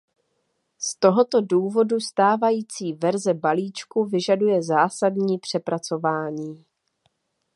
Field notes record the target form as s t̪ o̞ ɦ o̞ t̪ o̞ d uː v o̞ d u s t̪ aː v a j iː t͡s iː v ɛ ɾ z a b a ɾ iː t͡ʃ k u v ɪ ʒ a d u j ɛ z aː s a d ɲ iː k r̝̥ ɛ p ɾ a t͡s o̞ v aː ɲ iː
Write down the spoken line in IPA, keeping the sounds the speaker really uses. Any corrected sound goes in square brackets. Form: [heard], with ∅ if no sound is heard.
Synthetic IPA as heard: s t̪ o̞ ɦ o̞ t̪ o̞ d uː v o̞ d u s t̪ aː v a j iː t͡s iː v ɛ ɾ z [ɛ] b a [l] iː t͡ʃ k u v ɪ ʒ a d u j ɛ z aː s a d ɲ iː [p] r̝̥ ɛ p ɾ a t͡s o̞ v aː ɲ iː